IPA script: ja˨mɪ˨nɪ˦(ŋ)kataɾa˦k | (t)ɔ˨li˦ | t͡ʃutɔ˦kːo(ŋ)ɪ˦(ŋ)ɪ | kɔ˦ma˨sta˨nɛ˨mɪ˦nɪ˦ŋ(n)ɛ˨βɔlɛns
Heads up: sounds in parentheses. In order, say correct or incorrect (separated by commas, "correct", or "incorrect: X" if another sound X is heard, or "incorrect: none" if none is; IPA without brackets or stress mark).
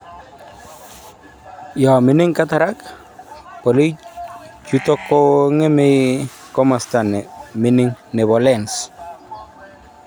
correct, incorrect: p, correct, incorrect: m, correct